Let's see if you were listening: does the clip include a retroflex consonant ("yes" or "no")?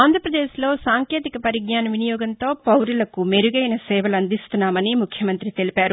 no